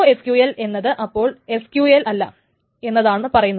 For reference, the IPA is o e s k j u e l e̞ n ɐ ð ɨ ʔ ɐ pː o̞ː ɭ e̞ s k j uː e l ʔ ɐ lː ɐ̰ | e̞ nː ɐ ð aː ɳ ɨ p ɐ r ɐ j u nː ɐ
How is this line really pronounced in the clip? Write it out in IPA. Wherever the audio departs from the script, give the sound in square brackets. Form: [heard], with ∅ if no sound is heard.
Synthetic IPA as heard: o e s k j u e l e̞ [nː] ɐ ð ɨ ʔ ɐ pː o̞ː ɭ e̞ s k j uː e l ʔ ɐ lː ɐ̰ | e̞ nː ɐ ð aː ɳ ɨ p ɐ r ɐ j u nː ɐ